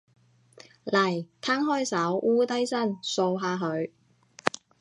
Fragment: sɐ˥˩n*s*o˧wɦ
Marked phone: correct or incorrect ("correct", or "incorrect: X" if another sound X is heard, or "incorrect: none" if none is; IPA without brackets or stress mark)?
correct